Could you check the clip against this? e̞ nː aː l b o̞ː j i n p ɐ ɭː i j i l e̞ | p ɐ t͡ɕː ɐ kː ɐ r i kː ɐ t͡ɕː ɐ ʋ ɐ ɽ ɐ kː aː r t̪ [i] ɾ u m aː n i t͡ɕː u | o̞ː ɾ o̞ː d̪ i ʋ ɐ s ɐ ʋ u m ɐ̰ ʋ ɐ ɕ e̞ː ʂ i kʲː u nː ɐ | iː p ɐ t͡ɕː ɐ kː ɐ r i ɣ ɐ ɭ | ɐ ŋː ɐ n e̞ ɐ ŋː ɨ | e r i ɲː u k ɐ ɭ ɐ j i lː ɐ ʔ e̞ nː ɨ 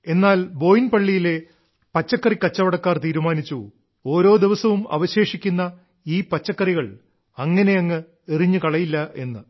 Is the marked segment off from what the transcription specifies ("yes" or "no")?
yes